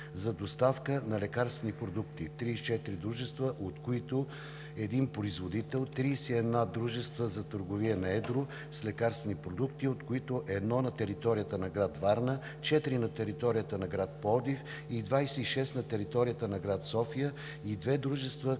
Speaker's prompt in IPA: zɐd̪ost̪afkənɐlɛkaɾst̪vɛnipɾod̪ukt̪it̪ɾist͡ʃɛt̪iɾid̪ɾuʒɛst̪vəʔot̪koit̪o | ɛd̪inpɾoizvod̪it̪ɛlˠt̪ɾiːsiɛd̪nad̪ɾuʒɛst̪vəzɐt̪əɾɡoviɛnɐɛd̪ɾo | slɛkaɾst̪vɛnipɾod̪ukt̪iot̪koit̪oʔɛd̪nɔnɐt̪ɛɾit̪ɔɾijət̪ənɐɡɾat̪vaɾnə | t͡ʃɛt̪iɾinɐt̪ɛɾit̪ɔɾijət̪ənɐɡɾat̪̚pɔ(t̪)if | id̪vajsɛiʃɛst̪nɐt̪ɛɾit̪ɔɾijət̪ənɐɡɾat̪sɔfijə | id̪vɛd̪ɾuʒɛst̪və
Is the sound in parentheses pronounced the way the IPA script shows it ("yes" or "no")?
no